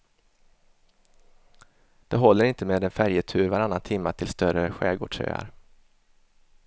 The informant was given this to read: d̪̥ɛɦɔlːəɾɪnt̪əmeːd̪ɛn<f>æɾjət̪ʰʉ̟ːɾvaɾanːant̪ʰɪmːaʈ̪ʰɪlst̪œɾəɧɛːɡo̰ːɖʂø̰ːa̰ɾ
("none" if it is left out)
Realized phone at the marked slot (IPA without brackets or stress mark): f